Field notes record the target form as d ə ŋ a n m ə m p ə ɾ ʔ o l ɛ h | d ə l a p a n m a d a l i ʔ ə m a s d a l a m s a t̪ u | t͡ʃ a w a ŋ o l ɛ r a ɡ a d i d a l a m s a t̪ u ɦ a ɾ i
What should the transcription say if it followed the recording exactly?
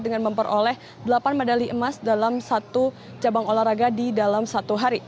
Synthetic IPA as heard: d ə ŋ a n m ə m p ə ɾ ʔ o l ɛ h | d ə l a p a n m a d a l i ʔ ə m a s d a l a m s a t̪ u | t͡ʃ a b a ŋ o l a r a ɡ a d i d a l a m s a t̪ u ɦ a ɾ i